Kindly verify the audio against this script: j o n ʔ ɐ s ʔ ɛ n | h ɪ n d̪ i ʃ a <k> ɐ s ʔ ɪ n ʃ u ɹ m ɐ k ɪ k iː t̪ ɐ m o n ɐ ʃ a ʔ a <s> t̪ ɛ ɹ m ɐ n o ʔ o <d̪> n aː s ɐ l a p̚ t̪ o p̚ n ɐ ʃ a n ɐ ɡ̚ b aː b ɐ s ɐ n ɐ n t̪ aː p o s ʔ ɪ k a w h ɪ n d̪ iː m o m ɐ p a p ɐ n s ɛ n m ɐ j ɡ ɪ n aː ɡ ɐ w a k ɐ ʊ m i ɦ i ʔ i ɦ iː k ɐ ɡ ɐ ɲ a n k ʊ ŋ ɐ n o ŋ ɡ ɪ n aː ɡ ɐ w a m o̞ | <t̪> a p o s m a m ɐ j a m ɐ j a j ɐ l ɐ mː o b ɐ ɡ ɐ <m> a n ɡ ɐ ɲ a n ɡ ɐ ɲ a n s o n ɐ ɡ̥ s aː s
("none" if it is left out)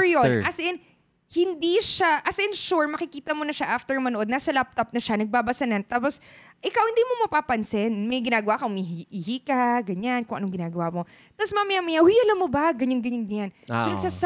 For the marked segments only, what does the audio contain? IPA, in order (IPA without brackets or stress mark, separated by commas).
ʔ, f, d̪, t̪, ɲ